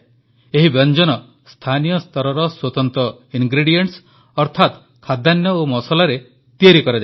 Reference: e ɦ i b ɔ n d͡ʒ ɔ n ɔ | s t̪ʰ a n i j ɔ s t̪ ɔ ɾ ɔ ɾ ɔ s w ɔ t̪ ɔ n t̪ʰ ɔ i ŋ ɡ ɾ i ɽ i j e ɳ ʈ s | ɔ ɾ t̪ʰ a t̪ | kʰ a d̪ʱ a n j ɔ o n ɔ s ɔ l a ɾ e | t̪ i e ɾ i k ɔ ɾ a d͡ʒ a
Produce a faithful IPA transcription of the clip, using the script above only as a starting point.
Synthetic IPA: e ɦ i b ɔ n d͡ʒ ɔ n ɔ | s t̪ʰ a n i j ɔ s t̪ ɔ ɾ ɔ ɾ ɔ s w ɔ t̪ ɔ n t̪ ɔ i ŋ ɡ ɾ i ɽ i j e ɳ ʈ s | ɔ ɾ t̪ʰ a t̪ | kʰ a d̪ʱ a n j ɔ o m ɔ s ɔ l a ɾ e | t̪ i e ɾ i k ɔ ɾ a d͡ʒ a